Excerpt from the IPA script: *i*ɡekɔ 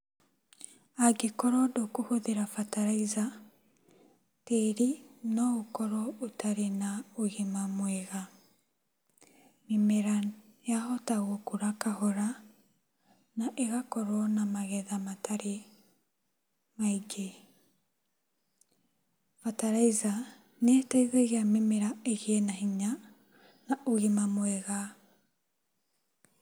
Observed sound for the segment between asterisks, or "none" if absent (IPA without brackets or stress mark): a